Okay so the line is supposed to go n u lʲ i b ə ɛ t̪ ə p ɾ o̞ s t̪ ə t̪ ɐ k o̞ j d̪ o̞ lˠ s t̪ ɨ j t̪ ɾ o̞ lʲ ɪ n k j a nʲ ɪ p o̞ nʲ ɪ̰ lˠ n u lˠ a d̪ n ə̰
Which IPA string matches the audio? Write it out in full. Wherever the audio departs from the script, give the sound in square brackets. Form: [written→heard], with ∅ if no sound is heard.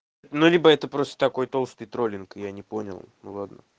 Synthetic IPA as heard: n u lʲ i b ə ɛ t̪ ə p ɾ o̞ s t̪ ə t̪ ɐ k o̞ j [d̪→t̪] o̞ lˠ s t̪ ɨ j t̪ ɾ o̞ lʲ ɪ n k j a nʲ ɪ p o̞ nʲ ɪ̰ lˠ n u lˠ a d̪ n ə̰